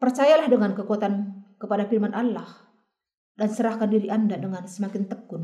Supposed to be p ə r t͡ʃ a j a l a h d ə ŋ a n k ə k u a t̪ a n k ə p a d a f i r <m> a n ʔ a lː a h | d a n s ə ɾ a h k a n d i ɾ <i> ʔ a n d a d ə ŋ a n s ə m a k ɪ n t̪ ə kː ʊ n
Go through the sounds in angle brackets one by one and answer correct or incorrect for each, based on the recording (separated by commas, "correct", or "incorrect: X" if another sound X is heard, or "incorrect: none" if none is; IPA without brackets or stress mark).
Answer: correct, correct